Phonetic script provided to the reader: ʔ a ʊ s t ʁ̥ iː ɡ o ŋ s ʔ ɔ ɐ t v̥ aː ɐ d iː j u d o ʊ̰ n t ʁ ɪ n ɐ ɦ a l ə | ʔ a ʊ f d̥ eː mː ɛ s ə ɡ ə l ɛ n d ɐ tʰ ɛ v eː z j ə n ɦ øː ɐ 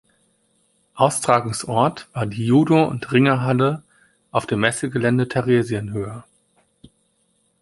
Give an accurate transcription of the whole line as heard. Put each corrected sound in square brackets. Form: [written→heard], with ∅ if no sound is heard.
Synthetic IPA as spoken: ʔ a ʊ s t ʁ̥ [iː→aː] ɡ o ŋ s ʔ ɔ ɐ t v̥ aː ɐ d iː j [u→uː] d o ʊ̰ n t ʁ ɪ [n→ŋ] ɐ ɦ a l ə | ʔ a ʊ f d̥ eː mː ɛ s ə ɡ ə l ɛ n d [ɐ→ə] tʰ ɛ [v→ʁ] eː z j ə n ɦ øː ɐ